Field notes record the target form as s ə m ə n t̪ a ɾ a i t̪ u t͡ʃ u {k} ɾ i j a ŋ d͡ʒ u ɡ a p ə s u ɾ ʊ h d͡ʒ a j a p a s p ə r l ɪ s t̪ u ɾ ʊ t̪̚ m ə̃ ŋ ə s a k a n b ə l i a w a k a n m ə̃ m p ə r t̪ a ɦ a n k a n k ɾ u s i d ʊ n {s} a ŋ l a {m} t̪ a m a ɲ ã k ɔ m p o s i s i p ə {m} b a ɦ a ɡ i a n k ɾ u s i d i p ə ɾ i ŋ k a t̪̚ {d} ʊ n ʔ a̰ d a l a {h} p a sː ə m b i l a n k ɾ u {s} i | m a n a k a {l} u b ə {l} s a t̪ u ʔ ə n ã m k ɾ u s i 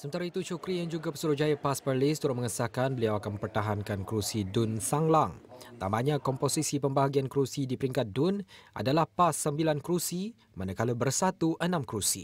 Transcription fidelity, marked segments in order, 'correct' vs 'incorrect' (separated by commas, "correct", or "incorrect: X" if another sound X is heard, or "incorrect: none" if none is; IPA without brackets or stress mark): correct, correct, incorrect: ŋ, correct, correct, correct, correct, correct, incorrect: r